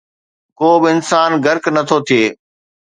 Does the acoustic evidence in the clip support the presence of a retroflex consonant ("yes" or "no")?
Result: no